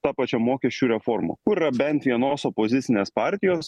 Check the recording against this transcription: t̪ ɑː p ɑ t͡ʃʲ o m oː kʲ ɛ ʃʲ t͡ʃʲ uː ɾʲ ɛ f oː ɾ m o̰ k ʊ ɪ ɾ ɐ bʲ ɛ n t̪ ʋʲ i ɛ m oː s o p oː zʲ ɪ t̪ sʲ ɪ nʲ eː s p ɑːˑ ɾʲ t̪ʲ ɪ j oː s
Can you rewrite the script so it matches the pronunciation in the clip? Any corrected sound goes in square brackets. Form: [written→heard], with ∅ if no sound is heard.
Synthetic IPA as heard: t̪ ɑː p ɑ t͡ʃʲ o m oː kʲ ɛ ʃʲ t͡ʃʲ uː ɾʲ ɛ f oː ɾ m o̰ k ʊ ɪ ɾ ɐ bʲ ɛ n t̪ ʋʲ i ɛ [m→n] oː s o p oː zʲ ɪ t̪ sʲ ɪ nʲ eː s p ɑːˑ ɾʲ t̪ʲ ɪ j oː s

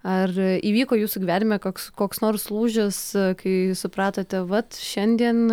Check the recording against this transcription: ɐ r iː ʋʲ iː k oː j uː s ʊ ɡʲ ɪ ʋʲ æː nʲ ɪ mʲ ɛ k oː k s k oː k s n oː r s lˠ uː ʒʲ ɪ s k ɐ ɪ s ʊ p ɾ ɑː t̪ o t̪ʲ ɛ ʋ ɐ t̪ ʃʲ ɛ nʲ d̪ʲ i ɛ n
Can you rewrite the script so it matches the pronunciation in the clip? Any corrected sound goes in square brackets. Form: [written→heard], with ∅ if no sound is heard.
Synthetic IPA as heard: ɐ r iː ʋʲ iː k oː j uː s ʊ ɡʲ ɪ ʋʲ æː nʲ ɪ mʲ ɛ k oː k s k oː k s n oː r s lˠ uː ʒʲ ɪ s k ɐ ɪ s ʊ p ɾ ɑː t̪ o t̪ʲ ɛ ʋ ɐ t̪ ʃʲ ɛ nʲ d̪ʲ i ɛ n

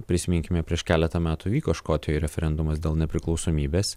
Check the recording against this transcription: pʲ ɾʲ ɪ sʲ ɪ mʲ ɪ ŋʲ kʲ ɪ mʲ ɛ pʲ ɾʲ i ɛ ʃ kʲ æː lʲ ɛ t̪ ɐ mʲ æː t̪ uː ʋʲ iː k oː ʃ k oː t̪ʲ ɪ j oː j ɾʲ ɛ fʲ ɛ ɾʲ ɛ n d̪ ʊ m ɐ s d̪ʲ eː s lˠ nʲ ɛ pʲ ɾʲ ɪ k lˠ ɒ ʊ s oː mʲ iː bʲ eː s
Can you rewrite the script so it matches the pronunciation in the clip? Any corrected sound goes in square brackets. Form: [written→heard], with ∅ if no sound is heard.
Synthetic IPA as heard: pʲ ɾʲ ɪ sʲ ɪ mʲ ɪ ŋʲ kʲ ɪ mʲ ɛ pʲ ɾʲ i ɛ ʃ kʲ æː lʲ ɛ t̪ ɐ mʲ æː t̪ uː ʋʲ iː k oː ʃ k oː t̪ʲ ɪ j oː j ɾʲ ɛ fʲ ɛ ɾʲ ɛ n d̪ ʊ m ɐ s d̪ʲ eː [s→∅] lˠ nʲ ɛ pʲ ɾʲ ɪ k lˠ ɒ ʊ s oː mʲ iː bʲ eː s

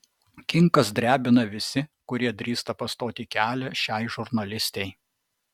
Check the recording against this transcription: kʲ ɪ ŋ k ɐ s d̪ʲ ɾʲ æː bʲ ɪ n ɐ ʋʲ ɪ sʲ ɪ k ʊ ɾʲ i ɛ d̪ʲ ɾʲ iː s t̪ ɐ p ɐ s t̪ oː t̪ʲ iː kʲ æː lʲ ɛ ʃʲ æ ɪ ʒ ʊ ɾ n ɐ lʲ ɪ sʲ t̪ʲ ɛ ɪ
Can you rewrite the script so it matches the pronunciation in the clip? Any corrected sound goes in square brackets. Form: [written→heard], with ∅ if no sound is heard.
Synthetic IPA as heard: kʲ ɪ ŋ k ɐ s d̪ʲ ɾʲ æː bʲ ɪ n ɐ ʋʲ ɪ sʲ ɪ k ʊ ɾʲ i ɛ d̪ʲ ɾʲ iː s t̪ ɐ p ɐ s t̪ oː t̪ʲ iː kʲ æː lʲ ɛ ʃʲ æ ɪ ʒ ʊ ɾ n ɐ lʲ ɪ sʲ t̪ʲ ɛ ɪ

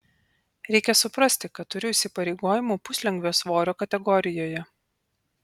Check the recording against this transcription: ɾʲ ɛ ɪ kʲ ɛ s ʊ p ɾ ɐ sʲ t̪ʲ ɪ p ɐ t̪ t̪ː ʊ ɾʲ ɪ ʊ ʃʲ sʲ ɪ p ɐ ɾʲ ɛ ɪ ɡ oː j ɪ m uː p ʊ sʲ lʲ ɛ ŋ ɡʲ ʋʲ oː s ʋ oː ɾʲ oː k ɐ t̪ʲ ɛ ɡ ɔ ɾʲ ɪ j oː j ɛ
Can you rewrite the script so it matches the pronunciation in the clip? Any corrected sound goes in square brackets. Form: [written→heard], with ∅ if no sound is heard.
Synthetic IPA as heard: ɾʲ ɛ ɪ kʲ ɛ s ʊ p ɾ ɐ sʲ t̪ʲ ɪ [p→k] ɐ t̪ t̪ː ʊ ɾʲ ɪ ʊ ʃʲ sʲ ɪ p ɐ ɾʲ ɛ ɪ ɡ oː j ɪ m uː p ʊ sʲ lʲ ɛ ŋ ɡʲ ʋʲ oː s ʋ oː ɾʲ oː k ɐ t̪ʲ ɛ ɡ ɔ ɾʲ ɪ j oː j ɛ

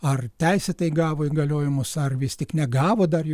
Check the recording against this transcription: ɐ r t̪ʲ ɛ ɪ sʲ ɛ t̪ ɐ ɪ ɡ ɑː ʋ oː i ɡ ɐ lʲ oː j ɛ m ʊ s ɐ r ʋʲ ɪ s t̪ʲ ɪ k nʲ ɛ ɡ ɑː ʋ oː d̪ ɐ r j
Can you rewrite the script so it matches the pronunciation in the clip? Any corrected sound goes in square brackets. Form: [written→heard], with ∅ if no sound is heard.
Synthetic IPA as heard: ɐ r t̪ʲ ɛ ɪ sʲ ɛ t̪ ɐ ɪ ɡ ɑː ʋ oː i ɡ ɐ lʲ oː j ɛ m ʊ s ɐ r ʋʲ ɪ s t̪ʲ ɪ k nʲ ɛ ɡ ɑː ʋ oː d̪ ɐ r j

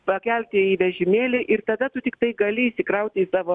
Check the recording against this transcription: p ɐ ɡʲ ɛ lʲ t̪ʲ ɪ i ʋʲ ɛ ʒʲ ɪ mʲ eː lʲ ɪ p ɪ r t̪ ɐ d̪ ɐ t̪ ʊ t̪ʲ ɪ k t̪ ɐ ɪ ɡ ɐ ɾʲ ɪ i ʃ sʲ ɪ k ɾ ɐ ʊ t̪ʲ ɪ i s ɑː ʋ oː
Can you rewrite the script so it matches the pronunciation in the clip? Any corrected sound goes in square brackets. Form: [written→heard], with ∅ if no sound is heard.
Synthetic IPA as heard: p ɐ [ɡʲ→kʲ] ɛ lʲ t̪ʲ ɪ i ʋʲ ɛ ʒʲ ɪ mʲ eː lʲ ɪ [p→ʔ] ɪ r t̪ ɐ d̪ ɐ t̪ ʊ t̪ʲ ɪ k t̪ ɐ ɪ ɡ ɐ [ɾʲ→lʲ] ɪ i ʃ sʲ ɪ k ɾ ɐ ʊ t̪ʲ ɪ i s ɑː ʋ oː

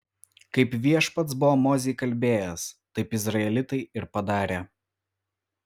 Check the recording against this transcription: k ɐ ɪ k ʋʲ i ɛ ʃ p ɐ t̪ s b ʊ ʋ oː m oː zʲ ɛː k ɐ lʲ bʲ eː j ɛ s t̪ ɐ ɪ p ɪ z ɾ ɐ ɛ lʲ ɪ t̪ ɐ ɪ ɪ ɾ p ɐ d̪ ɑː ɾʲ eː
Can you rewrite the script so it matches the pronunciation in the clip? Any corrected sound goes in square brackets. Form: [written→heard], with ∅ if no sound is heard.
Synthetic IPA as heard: k ɐ ɪ [k→p] ʋʲ i ɛ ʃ p ɐ t̪ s b ʊ ʋ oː m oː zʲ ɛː k ɐ lʲ bʲ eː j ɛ s t̪ ɐ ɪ p ɪ z ɾ ɐ ɛ lʲ ɪ t̪ ɐ ɪ ɪ ɾ p ɐ d̪ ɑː ɾʲ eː

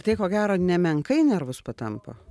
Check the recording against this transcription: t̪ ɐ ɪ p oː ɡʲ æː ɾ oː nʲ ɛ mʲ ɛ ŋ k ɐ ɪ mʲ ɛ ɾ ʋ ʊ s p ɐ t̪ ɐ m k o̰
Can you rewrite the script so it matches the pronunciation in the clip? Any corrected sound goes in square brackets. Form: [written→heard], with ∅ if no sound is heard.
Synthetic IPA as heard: t̪ ɐ ɪ [p→k] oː ɡʲ æː ɾ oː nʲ ɛ mʲ ɛ ŋ k ɐ ɪ [mʲ→nʲ] ɛ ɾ ʋ ʊ s p ɐ t̪ ɐ m [k→p] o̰

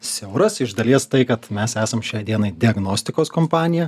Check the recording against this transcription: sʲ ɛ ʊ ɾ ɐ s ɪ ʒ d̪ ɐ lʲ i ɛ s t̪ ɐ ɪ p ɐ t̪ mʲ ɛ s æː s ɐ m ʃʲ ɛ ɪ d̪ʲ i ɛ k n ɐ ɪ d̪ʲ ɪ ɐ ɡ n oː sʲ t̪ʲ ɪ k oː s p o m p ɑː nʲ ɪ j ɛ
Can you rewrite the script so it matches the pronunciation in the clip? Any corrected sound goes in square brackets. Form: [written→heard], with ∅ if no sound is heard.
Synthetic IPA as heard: sʲ ɛ ʊ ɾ ɐ s ɪ ʒ d̪ ɐ lʲ i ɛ s t̪ ɐ ɪ [p→k] ɐ t̪ mʲ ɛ s æː s ɐ m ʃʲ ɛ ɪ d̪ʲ i ɛ [k→∅] n ɐ ɪ d̪ʲ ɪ ɐ ɡ n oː sʲ t̪ʲ ɪ k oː s [p→k] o m p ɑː nʲ ɪ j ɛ

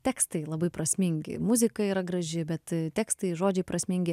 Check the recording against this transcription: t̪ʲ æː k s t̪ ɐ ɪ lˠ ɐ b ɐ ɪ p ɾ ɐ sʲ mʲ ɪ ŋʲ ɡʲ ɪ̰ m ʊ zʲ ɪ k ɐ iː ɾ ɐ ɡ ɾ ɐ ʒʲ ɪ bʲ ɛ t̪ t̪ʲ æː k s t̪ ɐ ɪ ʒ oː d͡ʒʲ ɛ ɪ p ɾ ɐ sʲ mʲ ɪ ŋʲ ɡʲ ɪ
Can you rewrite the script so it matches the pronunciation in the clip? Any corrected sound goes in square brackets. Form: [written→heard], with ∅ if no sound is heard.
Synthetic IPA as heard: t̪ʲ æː k s t̪ ɐ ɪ lˠ ɐ b ɐ ɪ p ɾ ɐ sʲ mʲ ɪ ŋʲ ɡʲ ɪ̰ m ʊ zʲ ɪ k ɐ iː ɾ ɐ ɡ ɾ ɐ ʒʲ ɪ bʲ ɛ t̪ t̪ʲ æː k s t̪ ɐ ɪ ʒ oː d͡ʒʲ ɛ ɪ p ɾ ɐ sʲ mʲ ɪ ŋʲ ɡʲ ɪ

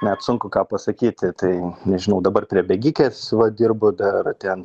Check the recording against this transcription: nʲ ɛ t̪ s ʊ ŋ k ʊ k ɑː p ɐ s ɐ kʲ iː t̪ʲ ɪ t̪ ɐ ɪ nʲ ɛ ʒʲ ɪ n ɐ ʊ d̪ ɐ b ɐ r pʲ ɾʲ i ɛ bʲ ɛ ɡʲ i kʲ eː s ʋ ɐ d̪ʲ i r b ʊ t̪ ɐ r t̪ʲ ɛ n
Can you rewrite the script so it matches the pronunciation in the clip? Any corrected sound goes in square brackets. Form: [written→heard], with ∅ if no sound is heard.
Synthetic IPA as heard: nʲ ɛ t̪ s ʊ ŋ k ʊ k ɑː p ɐ s ɐ kʲ iː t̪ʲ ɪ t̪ ɐ ɪ nʲ ɛ ʒʲ ɪ n ɐ ʊ d̪ ɐ b ɐ r pʲ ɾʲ i ɛ bʲ ɛ ɡʲ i kʲ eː s ʋ ɐ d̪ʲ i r b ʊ [t̪→d̪] ɐ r t̪ʲ ɛ n

